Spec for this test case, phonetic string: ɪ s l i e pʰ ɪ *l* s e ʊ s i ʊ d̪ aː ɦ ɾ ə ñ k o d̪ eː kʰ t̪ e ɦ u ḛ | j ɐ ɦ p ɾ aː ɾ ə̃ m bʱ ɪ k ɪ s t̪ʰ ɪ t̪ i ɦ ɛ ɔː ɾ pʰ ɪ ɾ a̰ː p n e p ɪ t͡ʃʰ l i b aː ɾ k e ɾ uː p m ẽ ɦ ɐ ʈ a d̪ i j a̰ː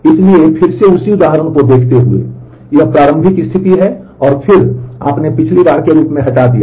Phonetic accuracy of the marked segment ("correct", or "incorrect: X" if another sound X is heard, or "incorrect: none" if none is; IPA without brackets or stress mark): incorrect: ɾ